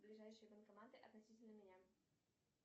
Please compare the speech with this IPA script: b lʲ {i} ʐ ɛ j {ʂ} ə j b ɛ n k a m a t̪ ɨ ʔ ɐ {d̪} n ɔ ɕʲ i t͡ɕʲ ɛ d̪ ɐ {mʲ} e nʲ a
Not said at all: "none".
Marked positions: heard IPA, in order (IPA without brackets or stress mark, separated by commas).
i, ʂ, t̪, mʲ